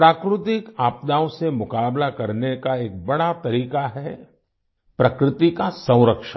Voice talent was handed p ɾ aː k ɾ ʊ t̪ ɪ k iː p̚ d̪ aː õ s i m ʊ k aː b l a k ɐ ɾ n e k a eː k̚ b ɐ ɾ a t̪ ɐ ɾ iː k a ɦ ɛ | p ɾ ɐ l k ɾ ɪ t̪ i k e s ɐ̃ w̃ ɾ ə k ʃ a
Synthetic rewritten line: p ɾ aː k ɾ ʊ t̪ ɪ k aː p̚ d̪ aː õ s e m ʊ k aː b l a k ɐ ɾ n e k a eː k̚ b ɐ ɽ a t̪ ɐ ɾ iː k a ɦ ɛ | p ɾ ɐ k ɾ ɪ t̪ i k a s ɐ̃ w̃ ɾ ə k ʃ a